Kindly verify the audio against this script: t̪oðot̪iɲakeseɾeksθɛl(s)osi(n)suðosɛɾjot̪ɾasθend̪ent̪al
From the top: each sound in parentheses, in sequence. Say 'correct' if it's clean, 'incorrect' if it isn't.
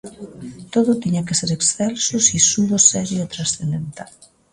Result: correct, incorrect

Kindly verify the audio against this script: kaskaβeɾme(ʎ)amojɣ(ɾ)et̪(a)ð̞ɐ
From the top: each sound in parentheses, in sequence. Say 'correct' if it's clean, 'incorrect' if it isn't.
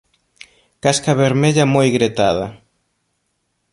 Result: correct, correct, correct

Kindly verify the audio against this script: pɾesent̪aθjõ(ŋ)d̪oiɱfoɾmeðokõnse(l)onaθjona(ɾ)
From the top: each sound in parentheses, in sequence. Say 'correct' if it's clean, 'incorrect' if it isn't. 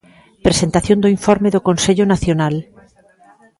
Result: incorrect, incorrect, incorrect

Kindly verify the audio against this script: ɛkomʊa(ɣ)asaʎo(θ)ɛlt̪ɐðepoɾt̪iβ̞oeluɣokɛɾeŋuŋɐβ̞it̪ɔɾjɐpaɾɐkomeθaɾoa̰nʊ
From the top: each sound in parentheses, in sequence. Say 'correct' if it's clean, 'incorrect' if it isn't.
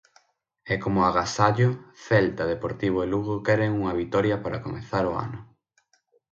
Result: correct, correct

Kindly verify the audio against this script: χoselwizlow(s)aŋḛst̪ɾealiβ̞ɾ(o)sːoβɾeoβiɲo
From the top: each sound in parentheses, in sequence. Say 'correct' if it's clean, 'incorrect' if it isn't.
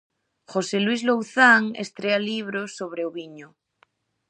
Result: incorrect, correct

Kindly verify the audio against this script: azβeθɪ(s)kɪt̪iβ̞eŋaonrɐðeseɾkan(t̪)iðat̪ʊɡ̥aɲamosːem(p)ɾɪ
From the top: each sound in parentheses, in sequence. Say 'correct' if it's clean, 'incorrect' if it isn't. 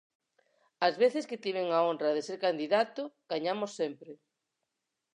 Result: correct, incorrect, correct

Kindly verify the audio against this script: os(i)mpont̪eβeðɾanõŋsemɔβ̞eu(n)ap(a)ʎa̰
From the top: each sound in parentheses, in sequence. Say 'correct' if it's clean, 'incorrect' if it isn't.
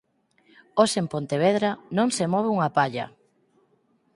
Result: incorrect, incorrect, correct

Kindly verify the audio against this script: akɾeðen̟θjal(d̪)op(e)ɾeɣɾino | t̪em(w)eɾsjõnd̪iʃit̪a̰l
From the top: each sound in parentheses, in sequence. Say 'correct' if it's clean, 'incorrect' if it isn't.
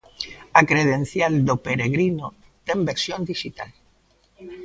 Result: correct, correct, incorrect

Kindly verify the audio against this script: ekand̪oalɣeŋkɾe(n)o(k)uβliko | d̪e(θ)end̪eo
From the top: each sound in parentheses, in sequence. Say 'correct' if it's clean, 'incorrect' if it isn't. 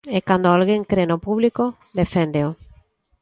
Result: correct, incorrect, incorrect

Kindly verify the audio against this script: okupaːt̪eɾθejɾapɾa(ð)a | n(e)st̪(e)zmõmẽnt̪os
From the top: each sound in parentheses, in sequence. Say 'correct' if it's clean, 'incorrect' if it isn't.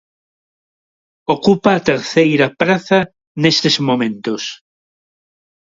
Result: incorrect, correct, correct

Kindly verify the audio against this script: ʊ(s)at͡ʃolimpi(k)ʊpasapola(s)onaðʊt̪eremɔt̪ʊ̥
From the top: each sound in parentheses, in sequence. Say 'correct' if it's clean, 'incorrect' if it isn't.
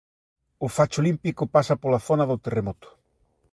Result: incorrect, correct, incorrect

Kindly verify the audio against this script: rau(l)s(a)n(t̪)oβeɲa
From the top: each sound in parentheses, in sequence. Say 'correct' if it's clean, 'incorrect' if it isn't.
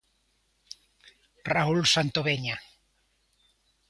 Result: correct, correct, correct

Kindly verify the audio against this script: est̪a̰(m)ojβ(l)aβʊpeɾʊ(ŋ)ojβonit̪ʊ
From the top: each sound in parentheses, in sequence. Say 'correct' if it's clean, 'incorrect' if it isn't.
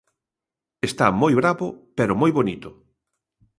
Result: correct, incorrect, incorrect

